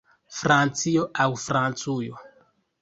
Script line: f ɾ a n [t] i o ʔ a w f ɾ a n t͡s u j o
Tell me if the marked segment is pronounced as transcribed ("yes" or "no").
no